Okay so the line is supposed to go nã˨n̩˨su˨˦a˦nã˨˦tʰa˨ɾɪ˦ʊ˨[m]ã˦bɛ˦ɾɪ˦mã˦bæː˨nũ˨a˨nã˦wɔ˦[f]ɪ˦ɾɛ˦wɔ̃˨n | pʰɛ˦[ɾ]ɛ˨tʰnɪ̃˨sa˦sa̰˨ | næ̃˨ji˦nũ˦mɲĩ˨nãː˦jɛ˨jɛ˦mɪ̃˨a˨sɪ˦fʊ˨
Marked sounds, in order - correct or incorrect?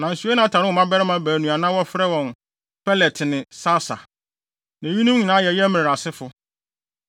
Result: correct, correct, incorrect: l

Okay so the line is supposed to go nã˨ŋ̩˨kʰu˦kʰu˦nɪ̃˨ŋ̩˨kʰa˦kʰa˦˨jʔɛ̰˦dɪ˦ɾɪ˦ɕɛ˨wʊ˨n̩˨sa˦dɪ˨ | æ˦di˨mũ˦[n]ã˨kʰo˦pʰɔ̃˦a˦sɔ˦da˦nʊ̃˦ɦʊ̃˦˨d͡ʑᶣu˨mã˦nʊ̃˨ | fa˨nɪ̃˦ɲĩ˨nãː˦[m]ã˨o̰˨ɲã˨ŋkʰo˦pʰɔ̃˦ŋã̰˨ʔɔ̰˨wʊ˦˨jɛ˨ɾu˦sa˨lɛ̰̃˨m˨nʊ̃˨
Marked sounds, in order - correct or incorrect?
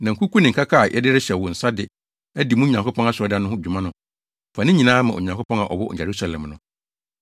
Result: incorrect: ɲ, correct

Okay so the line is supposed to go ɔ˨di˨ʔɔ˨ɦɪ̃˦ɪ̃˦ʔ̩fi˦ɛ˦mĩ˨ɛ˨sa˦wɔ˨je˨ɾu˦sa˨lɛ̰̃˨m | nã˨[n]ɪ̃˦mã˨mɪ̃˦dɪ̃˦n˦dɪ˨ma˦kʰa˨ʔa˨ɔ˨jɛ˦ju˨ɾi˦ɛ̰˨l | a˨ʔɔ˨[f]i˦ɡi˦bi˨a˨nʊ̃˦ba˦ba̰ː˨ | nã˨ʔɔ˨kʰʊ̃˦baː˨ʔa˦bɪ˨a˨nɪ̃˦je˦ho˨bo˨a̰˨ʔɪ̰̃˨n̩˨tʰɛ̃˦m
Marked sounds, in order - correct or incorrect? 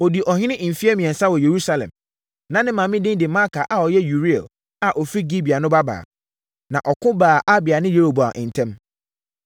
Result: correct, correct

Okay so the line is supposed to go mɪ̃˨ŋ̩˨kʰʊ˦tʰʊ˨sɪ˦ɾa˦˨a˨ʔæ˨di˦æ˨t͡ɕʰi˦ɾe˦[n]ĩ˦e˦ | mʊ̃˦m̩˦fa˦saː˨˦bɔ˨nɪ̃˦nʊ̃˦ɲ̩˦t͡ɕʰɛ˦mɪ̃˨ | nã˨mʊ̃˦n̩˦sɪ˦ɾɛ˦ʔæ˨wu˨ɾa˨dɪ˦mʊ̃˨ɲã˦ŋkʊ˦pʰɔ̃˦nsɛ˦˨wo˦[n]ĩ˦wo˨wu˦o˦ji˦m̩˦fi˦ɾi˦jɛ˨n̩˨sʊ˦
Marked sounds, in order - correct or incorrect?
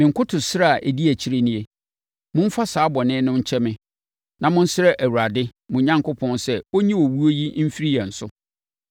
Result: correct, incorrect: ɲ

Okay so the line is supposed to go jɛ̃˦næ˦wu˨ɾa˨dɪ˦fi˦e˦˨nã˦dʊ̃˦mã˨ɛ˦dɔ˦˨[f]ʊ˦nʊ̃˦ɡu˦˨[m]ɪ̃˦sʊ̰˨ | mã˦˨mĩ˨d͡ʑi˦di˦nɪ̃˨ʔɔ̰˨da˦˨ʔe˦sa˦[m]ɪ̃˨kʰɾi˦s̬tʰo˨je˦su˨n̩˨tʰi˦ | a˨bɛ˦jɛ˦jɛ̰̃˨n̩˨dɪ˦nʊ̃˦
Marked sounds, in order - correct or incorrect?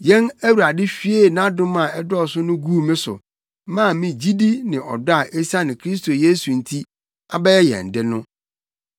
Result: incorrect: s, correct, incorrect: n

